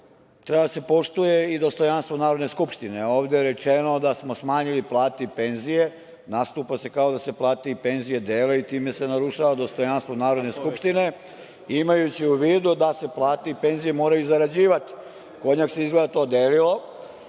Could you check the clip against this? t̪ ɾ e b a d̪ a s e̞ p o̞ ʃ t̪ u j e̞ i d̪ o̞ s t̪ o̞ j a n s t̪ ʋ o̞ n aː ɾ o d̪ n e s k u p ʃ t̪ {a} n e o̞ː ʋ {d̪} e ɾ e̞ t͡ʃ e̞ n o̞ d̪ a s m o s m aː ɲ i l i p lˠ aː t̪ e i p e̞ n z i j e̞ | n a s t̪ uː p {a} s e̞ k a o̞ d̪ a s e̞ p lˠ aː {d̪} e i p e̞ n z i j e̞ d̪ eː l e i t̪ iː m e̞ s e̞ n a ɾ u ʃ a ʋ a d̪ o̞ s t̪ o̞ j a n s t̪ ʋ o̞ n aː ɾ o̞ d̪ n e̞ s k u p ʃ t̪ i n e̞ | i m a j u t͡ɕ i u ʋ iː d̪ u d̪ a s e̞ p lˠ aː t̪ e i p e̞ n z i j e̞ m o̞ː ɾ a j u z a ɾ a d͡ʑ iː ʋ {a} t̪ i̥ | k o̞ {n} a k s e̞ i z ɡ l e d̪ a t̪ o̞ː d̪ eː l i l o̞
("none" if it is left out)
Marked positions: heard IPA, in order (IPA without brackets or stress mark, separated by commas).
i, d̪, a, t̪, a, ɲ